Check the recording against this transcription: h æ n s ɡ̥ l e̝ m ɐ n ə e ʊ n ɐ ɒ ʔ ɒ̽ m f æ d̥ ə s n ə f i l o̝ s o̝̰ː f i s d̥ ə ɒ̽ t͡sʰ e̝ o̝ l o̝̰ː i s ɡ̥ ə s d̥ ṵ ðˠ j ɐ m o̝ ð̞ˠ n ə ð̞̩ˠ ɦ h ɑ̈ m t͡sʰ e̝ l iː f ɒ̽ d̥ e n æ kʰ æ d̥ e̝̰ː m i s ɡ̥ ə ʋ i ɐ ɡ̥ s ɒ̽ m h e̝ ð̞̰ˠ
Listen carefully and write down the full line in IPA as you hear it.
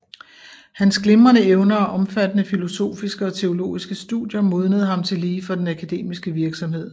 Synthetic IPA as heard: h æ n s ɡ̥ l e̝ m ɐ n ə e ʊ n ɐ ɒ ʔ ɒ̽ m f æ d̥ ə n ə f i l o̝ s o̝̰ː f i s ɡ̥ ə ɒ̽ t͡sʰ e̝ o̝ l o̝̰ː i s ɡ̥ ə s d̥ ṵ ðˠ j ɐ m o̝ ð̞ˠ n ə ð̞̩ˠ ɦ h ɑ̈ m t͡sʰ e̝ l iː f ɒ̽ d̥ e n æ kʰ æ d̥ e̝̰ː m i s ɡ̥ ə ʋ i ɐ ɡ̥ s ɒ̽ m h e̝ ð̞̰ˠ